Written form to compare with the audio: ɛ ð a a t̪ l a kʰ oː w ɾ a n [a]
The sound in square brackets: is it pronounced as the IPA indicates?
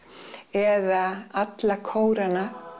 yes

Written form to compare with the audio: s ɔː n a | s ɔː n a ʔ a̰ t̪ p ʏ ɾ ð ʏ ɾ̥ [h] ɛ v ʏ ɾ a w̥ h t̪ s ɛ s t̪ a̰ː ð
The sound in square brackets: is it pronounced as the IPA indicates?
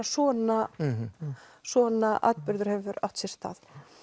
yes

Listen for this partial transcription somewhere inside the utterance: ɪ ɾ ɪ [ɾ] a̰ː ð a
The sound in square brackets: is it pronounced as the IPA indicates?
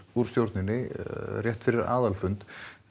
yes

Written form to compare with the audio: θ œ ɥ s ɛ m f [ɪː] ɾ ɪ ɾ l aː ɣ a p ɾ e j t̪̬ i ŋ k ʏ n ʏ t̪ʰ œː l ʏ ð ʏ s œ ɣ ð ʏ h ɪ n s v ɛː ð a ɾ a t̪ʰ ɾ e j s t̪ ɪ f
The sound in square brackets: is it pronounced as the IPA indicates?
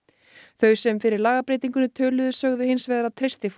no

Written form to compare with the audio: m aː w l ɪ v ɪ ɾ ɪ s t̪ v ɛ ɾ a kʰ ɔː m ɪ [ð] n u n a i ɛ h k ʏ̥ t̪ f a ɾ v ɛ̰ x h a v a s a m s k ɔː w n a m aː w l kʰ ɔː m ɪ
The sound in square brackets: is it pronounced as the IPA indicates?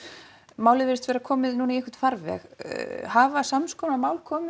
yes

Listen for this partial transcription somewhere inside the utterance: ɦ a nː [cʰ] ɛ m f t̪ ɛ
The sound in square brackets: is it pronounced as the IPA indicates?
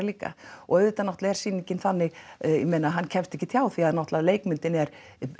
yes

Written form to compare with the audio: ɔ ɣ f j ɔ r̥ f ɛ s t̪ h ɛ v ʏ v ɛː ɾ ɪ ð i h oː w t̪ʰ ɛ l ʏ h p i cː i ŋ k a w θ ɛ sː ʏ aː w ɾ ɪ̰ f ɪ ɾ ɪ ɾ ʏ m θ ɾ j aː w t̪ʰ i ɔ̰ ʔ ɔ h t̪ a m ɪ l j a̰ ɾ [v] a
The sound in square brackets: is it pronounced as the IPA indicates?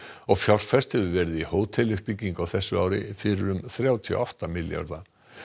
no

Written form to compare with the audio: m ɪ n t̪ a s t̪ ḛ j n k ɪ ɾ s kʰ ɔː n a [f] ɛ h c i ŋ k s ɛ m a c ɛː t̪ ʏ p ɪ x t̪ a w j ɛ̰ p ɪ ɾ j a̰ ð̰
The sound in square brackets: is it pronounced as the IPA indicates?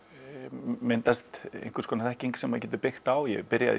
no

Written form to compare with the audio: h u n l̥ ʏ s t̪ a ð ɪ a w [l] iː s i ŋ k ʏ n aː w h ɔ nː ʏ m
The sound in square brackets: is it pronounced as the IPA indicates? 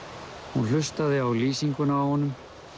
yes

